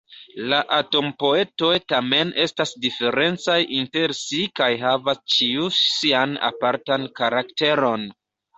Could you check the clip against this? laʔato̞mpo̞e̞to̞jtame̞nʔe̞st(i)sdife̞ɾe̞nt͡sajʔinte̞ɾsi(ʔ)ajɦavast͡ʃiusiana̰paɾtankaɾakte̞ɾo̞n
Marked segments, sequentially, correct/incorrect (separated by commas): incorrect, incorrect